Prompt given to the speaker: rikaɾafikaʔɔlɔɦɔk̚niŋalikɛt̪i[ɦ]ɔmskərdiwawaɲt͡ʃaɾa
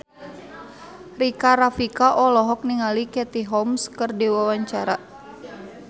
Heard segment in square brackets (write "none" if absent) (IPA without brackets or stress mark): ɦ